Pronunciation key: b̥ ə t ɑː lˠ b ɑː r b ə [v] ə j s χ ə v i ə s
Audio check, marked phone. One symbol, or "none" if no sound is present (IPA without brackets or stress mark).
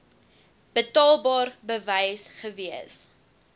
v